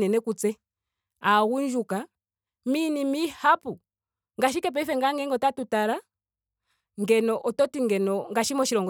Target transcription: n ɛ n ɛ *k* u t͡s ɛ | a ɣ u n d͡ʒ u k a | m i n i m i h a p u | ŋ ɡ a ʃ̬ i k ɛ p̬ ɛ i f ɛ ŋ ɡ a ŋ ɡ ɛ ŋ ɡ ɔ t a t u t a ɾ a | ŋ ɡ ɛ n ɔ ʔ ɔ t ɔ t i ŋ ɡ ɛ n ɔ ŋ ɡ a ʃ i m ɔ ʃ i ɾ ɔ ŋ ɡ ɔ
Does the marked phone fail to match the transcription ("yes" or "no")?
no